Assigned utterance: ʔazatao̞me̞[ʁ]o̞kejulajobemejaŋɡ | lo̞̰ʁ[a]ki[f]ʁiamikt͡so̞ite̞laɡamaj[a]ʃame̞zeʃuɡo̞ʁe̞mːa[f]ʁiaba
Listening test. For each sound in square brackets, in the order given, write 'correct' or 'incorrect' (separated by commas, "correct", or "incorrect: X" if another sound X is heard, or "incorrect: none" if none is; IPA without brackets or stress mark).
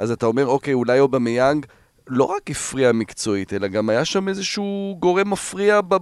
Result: correct, correct, correct, correct, correct